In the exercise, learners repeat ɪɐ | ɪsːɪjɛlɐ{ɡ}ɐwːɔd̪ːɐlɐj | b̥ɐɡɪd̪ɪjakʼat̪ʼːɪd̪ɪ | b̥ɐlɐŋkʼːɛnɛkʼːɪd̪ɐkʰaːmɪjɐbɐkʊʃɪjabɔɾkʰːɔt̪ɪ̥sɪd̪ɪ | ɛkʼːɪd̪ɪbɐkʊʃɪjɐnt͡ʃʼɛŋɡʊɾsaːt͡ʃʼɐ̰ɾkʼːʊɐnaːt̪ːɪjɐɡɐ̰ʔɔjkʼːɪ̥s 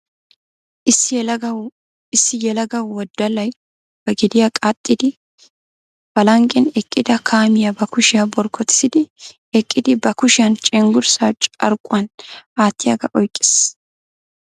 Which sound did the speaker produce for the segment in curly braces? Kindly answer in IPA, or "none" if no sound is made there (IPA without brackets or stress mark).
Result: ɡ